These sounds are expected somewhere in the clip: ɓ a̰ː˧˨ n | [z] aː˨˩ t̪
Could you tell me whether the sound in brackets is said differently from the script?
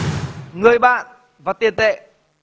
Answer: yes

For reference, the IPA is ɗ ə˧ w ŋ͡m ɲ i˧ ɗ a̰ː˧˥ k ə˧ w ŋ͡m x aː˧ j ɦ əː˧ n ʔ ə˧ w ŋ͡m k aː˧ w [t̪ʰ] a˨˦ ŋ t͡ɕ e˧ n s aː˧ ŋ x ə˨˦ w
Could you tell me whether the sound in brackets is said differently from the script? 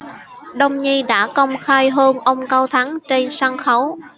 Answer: no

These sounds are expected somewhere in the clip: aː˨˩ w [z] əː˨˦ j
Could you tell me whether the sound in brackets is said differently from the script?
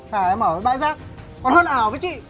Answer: yes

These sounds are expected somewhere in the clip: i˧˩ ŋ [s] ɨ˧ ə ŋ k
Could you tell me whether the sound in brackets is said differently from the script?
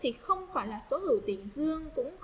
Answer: yes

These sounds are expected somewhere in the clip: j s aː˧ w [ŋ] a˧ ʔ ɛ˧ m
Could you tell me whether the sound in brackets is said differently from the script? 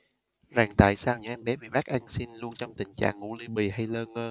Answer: yes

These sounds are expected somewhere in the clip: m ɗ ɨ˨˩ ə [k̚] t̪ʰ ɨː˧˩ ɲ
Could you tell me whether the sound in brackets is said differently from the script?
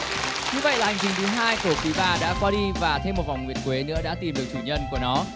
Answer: no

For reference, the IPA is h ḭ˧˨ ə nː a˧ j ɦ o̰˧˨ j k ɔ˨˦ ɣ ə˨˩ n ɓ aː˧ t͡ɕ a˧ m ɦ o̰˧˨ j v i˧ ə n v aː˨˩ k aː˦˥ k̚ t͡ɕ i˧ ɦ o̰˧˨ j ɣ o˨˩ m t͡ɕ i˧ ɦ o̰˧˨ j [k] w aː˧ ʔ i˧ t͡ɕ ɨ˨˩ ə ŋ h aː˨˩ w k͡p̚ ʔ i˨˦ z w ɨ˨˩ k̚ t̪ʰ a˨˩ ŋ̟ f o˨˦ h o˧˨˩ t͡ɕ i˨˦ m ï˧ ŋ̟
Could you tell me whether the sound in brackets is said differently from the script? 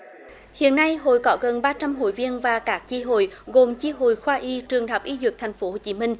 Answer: yes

